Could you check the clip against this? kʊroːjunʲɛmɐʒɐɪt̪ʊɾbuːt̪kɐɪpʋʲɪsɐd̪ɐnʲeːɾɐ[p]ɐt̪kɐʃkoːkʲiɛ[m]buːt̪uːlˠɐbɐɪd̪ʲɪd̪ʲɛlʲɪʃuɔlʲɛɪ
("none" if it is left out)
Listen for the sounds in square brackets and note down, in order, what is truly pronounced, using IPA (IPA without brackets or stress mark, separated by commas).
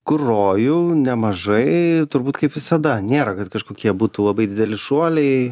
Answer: k, none